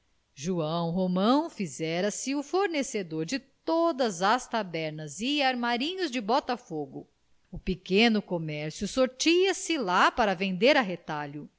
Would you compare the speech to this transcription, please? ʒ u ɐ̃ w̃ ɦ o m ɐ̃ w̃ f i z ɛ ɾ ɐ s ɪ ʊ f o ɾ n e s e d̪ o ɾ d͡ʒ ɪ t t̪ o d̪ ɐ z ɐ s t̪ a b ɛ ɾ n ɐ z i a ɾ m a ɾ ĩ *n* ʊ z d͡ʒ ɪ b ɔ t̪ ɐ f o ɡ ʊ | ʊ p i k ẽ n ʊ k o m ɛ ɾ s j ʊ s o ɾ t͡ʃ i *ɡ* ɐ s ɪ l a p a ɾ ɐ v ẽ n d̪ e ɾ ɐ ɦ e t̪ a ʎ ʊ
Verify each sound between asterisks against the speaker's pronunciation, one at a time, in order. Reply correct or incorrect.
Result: incorrect: ɲ, incorrect: none

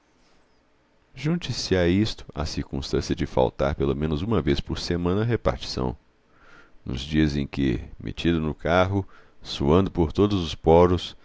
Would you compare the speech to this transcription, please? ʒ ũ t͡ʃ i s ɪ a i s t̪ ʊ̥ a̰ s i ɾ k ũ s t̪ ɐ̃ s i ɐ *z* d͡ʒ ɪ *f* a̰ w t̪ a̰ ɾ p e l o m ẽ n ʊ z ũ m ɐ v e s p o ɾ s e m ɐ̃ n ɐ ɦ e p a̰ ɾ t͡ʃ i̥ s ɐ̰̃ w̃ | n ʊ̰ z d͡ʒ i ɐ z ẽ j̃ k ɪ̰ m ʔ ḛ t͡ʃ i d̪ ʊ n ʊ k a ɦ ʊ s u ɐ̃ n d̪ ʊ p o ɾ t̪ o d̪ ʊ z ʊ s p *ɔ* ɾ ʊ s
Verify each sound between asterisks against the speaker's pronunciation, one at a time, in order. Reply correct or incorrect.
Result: incorrect: none, correct, correct

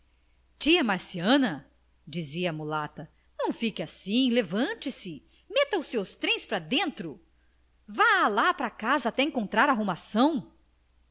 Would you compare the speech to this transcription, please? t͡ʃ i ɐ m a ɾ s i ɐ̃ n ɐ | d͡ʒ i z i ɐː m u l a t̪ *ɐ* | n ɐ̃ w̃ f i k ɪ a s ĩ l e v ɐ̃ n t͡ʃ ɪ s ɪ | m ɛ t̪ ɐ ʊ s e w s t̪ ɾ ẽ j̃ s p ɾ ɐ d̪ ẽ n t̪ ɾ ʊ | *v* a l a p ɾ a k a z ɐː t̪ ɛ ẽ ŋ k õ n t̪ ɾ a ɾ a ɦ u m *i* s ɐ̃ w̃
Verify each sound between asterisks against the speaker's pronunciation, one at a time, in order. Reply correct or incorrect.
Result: correct, correct, incorrect: a

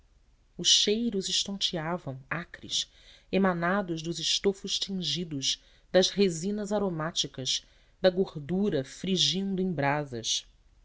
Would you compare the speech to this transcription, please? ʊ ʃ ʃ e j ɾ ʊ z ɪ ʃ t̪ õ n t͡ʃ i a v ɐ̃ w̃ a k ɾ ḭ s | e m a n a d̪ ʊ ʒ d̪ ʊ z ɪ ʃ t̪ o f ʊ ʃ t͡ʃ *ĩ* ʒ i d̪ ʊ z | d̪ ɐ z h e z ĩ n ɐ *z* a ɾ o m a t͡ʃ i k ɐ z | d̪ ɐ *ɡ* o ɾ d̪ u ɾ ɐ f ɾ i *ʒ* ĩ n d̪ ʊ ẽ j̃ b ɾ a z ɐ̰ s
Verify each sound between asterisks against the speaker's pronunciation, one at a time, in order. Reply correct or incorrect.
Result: correct, correct, correct, correct

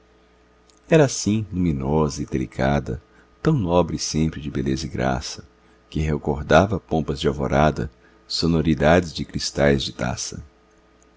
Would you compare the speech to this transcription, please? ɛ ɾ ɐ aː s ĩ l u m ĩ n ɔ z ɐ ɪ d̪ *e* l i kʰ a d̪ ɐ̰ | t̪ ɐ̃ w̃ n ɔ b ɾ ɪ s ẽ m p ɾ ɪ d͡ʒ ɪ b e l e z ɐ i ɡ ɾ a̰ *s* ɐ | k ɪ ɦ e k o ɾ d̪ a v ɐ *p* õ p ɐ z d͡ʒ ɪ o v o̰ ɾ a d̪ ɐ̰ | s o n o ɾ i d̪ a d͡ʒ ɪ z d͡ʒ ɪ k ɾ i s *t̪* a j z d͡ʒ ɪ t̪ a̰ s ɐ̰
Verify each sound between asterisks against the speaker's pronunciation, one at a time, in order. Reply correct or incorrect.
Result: correct, correct, correct, correct

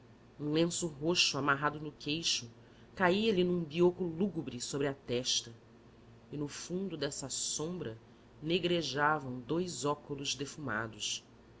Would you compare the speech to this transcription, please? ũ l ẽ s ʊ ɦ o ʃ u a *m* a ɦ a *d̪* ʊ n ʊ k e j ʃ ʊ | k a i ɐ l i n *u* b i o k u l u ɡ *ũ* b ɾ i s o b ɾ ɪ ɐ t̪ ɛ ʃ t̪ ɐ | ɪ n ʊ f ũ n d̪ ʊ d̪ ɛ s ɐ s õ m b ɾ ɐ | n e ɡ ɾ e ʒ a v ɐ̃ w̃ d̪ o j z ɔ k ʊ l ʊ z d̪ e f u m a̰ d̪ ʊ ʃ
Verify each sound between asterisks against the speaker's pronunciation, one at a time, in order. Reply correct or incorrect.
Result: correct, correct, incorrect: ũ, incorrect: u

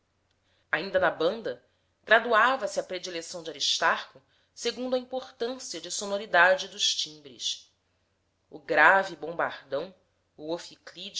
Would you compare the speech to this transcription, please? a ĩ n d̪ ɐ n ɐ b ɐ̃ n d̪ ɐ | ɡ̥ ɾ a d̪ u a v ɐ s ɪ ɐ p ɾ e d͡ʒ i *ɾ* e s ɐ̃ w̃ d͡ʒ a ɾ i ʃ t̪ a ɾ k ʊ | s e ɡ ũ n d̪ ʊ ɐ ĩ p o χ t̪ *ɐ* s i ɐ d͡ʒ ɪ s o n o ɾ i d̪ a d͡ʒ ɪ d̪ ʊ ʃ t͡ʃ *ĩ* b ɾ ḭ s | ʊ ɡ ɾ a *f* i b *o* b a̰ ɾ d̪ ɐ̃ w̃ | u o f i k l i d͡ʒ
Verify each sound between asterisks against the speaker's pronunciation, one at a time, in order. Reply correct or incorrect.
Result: incorrect: l, incorrect: ɐ̃, correct, incorrect: v, incorrect: õ

